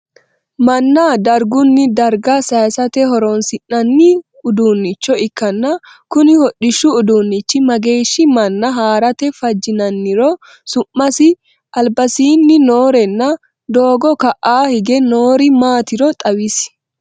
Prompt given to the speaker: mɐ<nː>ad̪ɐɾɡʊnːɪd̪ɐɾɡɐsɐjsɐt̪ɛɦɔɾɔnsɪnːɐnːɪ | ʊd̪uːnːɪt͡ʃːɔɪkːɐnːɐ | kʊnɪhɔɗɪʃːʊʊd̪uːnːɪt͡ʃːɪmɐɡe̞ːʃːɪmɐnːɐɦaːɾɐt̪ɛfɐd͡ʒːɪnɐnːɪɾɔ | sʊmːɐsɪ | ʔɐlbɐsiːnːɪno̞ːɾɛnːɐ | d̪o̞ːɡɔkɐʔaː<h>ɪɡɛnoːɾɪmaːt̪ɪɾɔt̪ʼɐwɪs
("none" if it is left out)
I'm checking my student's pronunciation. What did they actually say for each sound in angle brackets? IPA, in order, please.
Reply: nː, h

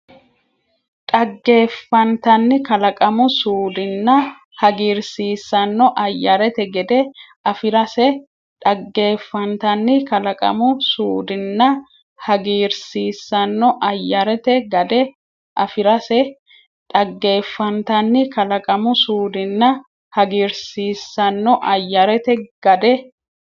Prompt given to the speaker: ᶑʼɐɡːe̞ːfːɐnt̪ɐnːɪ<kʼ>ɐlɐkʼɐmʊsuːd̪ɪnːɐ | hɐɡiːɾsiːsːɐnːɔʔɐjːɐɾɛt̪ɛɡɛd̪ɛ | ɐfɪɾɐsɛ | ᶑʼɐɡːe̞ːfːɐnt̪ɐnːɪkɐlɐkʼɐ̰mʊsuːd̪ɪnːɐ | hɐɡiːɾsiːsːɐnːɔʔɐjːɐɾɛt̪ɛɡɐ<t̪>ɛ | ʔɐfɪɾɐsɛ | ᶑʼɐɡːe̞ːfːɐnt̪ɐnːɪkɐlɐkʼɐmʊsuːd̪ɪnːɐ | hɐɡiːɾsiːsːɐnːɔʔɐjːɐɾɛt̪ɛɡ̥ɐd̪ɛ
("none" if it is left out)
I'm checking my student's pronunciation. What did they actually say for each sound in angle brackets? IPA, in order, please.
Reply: k, d̪

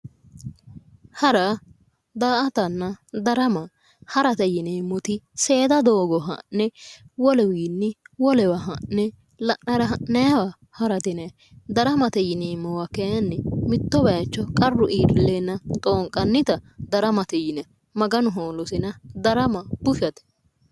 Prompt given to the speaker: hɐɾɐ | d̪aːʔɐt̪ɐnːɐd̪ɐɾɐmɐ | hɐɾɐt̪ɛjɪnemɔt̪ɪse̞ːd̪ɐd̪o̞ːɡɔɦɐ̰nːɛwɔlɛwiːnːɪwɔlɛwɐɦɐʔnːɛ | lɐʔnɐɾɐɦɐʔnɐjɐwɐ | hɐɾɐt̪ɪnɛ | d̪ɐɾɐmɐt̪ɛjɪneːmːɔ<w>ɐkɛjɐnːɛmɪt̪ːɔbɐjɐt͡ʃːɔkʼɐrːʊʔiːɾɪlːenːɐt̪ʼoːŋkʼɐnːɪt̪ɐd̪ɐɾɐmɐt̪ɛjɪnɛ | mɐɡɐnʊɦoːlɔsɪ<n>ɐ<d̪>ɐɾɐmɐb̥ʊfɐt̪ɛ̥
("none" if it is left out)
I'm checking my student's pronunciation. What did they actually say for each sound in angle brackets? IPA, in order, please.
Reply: w, n, d̪

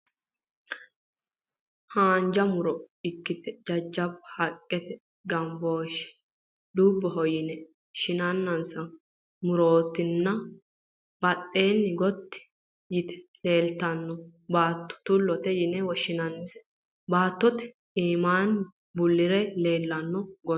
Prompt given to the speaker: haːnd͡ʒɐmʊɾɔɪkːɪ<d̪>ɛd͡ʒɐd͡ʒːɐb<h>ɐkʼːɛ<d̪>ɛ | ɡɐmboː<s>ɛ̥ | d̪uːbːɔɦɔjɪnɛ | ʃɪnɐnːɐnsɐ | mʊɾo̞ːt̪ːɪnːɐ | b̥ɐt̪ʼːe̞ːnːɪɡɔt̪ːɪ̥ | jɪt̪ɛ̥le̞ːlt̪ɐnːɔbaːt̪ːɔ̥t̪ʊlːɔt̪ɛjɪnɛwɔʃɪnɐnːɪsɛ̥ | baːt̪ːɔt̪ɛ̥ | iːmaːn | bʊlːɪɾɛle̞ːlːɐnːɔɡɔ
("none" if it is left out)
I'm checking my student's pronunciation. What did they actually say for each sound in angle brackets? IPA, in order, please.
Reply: t̪, h, t̪, ʃ

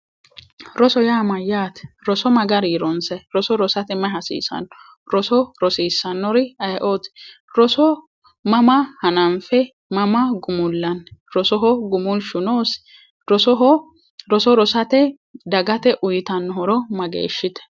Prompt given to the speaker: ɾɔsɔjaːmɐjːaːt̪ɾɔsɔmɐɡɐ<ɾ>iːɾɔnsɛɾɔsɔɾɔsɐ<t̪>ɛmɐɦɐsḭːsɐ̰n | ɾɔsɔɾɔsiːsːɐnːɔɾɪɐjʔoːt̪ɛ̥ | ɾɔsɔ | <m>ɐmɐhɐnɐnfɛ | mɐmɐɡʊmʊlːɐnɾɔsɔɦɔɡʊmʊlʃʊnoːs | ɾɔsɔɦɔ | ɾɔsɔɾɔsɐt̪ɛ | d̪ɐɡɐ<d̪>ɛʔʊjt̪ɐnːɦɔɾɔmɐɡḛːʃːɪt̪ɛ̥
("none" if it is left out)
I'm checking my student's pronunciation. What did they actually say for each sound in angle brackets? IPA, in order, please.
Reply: ɾ, t̪, m, t̪

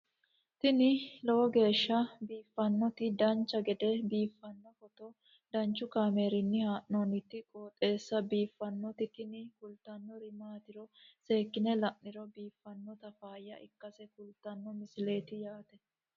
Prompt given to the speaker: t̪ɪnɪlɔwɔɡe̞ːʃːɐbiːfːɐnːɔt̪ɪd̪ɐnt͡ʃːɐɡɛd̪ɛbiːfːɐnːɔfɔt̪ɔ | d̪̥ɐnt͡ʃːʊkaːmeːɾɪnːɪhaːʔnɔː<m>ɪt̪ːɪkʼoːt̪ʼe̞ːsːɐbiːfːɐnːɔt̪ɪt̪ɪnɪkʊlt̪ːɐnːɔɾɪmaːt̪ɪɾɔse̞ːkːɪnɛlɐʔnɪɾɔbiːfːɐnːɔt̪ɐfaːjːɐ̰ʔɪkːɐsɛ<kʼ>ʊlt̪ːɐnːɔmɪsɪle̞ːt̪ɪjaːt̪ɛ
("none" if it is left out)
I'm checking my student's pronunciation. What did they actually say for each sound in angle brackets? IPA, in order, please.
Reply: n, k

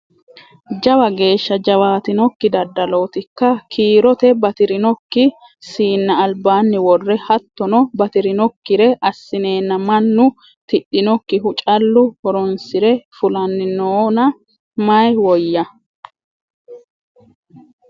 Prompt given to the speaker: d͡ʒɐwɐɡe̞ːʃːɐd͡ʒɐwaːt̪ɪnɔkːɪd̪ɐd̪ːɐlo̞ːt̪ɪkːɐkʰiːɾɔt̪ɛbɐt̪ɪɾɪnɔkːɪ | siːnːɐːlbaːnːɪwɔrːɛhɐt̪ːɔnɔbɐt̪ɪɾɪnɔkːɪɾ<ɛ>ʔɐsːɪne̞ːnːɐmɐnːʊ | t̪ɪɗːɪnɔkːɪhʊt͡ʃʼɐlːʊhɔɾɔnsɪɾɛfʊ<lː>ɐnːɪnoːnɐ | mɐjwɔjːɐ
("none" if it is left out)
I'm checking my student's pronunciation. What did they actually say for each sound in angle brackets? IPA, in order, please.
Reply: ɛ, l

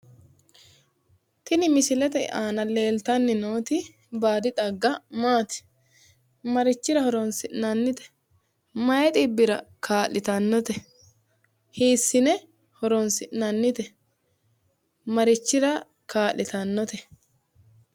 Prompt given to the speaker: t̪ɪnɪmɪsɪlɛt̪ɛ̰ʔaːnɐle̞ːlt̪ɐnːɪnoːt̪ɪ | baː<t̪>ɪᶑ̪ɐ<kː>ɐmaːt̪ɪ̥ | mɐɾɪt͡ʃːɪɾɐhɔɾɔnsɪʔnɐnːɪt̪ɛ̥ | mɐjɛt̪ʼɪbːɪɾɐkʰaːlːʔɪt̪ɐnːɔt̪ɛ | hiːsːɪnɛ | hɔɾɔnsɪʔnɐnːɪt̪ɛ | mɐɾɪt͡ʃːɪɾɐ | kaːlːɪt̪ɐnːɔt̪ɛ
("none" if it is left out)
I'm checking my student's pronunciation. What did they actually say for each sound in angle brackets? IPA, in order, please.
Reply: d̪, ɡː

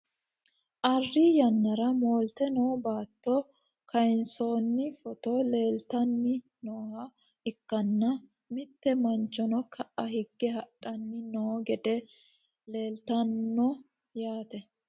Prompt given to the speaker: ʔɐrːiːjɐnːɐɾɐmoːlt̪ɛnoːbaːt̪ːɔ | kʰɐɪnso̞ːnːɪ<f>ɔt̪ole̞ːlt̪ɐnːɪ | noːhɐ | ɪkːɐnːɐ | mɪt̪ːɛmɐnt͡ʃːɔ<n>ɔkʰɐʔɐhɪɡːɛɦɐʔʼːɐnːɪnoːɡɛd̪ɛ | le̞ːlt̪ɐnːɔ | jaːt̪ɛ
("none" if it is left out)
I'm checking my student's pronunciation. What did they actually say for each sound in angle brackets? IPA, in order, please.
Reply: f, n

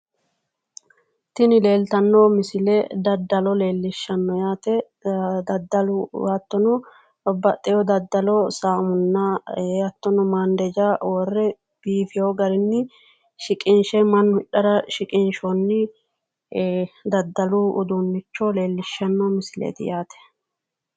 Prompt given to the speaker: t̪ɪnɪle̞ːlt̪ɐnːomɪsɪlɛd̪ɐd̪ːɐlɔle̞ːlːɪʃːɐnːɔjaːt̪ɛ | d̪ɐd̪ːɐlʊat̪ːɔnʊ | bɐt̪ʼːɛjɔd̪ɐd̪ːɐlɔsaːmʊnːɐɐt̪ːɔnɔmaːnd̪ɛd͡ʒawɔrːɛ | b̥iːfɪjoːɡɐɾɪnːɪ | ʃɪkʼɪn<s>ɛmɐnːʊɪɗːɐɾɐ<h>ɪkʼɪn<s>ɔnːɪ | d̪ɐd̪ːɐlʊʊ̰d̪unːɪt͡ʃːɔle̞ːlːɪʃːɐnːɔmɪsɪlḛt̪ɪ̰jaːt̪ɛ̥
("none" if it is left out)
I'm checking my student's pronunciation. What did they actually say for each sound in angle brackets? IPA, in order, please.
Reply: ʃ, ʃ, ʃ

